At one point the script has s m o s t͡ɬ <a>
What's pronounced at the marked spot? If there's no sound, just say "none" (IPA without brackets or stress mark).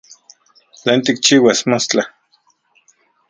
a